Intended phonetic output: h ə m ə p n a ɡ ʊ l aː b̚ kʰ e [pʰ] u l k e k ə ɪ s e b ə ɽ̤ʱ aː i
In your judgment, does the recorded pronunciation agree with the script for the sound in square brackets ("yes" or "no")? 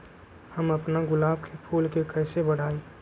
yes